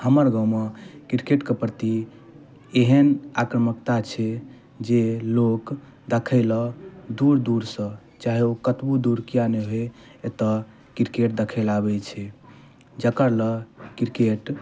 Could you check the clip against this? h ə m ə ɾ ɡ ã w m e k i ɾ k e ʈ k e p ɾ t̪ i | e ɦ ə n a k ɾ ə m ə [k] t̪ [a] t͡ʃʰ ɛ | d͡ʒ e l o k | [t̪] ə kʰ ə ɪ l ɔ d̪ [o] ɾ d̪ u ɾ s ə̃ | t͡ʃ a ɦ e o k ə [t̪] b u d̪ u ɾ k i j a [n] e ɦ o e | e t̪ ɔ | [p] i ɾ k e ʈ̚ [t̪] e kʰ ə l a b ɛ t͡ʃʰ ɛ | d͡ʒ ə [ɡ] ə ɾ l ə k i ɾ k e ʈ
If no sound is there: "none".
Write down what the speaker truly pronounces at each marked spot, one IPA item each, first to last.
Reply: k, a, d̪, u, t̪, n, k, d̪, k

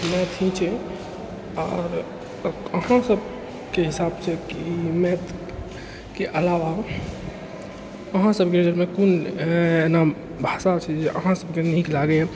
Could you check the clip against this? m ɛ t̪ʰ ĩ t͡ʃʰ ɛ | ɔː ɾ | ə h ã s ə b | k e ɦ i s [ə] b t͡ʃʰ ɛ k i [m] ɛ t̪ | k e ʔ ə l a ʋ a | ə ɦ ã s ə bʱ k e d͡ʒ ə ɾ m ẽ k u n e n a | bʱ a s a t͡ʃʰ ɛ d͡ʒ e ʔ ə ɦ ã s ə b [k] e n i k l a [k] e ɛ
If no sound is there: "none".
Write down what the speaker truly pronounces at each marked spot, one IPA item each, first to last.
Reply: a, m, k, ɡ

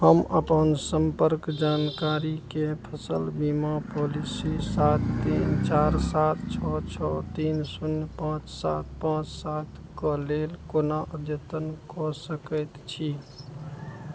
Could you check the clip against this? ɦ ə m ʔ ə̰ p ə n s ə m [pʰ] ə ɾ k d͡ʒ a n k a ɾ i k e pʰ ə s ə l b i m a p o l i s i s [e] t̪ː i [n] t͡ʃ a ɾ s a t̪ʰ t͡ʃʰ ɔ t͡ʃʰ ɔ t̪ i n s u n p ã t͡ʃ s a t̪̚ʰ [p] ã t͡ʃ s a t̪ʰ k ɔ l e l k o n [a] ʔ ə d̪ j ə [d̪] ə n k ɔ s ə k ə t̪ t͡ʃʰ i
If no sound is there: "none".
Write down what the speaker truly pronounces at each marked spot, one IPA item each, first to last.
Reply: p, a, n, p, a, t̪

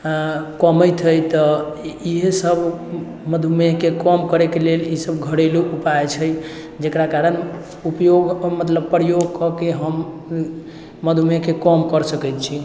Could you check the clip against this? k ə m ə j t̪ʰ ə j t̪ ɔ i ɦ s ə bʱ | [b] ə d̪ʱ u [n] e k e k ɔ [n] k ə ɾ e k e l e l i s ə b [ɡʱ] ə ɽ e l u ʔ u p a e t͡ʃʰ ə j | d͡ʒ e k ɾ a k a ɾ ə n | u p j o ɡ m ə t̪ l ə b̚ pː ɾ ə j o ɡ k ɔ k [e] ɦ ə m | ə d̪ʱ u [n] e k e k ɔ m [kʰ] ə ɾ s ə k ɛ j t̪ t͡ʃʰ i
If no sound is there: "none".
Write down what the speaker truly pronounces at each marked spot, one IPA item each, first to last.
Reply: m, m, m, ɡʱ, e, m, k

